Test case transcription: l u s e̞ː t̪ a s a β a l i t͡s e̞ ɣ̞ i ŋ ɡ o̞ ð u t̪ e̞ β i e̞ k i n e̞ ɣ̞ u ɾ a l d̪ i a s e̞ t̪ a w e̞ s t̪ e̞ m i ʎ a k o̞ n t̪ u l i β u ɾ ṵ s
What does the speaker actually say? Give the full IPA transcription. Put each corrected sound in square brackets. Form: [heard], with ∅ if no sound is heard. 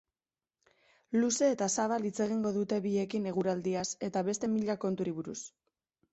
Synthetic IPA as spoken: l u s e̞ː t̪ a s a β a l i t͡s e̞ ɣ̞ i ŋ ɡ o̞ ð u t̪ e̞ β i e̞ k i n e̞ ɣ̞ u ɾ a l d̪ i a s e̞ t̪ a [β] e̞ s t̪ e̞ m i ʎ a k o̞ n t̪ u [ɾ] i β u ɾ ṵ s